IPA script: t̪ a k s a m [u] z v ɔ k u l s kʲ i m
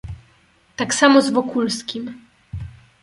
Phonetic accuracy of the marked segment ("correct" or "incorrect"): incorrect